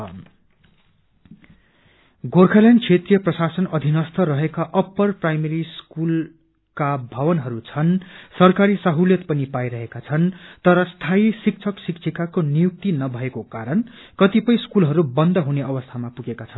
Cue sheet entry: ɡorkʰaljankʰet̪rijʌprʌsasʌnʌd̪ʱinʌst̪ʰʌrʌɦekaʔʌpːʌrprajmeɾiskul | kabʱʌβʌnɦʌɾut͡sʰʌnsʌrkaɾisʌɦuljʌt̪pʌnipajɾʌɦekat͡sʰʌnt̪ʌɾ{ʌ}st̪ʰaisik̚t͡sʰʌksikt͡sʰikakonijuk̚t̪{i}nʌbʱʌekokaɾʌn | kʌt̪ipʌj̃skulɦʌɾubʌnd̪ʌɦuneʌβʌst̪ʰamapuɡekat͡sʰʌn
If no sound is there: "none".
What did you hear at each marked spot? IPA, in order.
ʌ, i

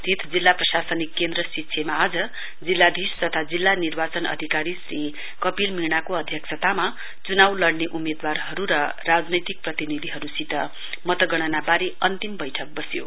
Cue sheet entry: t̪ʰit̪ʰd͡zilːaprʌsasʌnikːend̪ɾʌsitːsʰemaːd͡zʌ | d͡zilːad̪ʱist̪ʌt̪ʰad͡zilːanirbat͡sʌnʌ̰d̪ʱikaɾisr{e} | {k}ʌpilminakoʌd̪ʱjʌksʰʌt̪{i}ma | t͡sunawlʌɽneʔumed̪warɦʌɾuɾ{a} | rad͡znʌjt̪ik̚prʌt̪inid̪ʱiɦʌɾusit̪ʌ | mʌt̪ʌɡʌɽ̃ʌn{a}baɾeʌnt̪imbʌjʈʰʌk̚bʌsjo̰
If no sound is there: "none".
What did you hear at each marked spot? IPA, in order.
i, k, a, ʌ, a

